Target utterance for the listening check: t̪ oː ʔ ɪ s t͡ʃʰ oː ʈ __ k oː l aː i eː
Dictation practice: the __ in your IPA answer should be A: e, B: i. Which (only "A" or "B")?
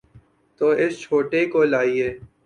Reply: A